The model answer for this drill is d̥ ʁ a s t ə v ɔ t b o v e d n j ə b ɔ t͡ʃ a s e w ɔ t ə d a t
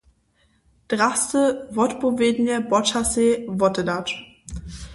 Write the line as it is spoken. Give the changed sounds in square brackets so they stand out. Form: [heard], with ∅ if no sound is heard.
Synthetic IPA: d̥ ʁ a s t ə v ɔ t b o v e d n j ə b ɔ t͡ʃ a s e [v] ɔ t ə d a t